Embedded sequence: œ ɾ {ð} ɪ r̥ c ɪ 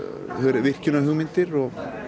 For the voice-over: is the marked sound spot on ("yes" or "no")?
no